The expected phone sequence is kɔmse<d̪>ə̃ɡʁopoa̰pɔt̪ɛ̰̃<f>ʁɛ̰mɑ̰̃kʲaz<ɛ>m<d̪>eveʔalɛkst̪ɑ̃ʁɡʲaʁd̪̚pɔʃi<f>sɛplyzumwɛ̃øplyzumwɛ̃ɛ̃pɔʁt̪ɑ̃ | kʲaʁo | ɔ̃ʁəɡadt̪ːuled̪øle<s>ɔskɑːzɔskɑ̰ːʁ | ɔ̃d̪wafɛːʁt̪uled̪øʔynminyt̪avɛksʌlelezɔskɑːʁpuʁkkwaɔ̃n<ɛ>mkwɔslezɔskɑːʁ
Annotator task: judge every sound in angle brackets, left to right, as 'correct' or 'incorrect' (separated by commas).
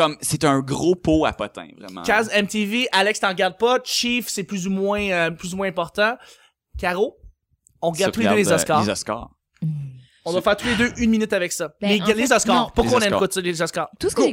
incorrect, incorrect, correct, incorrect, correct, incorrect, correct